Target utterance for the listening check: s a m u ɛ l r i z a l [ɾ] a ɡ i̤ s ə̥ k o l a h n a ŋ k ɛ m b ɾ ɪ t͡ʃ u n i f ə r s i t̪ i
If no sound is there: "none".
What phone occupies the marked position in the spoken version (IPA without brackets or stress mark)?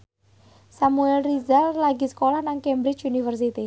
l